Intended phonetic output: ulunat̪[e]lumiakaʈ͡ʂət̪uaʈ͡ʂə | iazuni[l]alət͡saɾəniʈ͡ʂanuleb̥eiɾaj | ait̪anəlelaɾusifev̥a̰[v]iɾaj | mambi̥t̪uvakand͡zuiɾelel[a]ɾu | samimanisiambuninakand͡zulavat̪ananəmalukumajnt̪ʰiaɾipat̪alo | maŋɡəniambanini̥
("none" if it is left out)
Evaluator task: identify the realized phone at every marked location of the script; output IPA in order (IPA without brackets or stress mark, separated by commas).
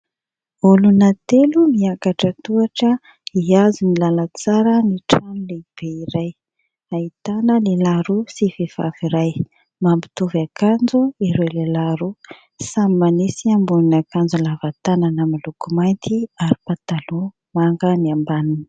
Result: e, l, v, a